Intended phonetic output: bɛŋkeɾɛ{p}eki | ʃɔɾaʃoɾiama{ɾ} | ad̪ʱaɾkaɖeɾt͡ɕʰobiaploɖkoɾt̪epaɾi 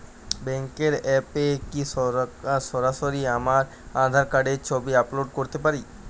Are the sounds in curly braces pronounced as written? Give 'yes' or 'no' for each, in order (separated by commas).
yes, yes